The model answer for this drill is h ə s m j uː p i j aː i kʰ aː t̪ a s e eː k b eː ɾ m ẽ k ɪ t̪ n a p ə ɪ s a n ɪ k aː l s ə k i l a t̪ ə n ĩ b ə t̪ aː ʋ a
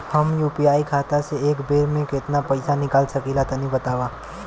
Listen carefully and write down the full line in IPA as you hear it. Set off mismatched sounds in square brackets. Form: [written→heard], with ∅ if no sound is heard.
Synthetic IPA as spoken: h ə [s→∅] m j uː p i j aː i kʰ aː t̪ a s e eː k b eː ɾ m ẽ k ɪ t̪ n a p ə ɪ s a n ɪ k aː l s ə k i l a t̪ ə n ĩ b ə t̪ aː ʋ a